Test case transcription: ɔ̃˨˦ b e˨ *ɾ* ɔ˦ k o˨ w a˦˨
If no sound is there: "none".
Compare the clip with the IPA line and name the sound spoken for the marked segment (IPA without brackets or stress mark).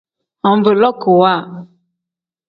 l